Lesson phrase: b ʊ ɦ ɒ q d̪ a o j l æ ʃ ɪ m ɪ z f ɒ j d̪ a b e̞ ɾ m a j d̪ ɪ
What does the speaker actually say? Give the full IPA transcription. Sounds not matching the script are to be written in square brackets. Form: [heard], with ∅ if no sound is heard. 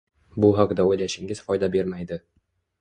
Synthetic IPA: b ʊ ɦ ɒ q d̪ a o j l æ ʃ ɪ [ŋ] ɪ z f ɒ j d̪ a b e̞ ɾ m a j d̪ ɪ